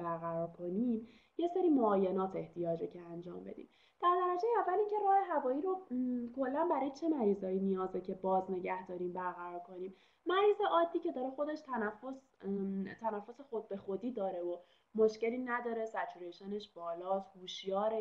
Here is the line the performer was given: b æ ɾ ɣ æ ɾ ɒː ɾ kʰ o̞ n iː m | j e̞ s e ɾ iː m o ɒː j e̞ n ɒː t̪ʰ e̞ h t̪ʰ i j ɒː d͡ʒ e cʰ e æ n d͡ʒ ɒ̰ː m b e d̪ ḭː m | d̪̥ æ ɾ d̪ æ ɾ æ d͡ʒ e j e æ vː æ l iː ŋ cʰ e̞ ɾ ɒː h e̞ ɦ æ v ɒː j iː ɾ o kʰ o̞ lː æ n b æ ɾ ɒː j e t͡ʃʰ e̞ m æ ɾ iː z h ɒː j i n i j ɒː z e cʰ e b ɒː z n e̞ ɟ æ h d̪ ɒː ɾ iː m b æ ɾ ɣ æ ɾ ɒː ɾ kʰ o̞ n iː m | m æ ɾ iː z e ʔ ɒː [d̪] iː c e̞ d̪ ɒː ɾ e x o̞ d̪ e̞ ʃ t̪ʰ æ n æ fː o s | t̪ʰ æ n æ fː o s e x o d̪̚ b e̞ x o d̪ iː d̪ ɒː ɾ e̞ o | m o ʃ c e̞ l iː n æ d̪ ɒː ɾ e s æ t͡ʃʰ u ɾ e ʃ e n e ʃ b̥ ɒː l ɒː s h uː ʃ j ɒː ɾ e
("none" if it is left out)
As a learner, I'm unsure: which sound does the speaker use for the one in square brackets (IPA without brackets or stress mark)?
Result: d̪ː